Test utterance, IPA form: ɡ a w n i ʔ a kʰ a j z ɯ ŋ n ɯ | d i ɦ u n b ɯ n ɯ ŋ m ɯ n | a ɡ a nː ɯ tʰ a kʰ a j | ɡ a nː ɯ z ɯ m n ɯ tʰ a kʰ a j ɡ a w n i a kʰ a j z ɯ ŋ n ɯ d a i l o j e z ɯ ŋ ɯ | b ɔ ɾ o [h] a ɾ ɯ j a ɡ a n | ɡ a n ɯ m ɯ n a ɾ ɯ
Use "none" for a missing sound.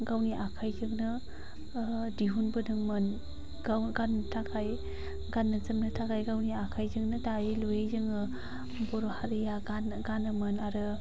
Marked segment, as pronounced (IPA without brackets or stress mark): h